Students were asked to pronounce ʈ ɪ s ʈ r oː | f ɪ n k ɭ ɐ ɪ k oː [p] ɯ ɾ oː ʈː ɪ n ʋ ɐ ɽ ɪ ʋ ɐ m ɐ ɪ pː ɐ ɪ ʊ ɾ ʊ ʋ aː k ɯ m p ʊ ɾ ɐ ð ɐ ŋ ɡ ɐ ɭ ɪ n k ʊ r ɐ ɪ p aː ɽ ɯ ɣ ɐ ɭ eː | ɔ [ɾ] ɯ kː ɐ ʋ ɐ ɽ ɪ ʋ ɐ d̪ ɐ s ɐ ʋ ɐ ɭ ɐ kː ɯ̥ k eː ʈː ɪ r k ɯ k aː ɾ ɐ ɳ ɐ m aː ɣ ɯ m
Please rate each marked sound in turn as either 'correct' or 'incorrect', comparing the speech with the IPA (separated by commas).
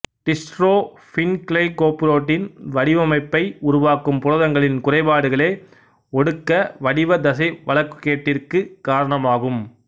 correct, incorrect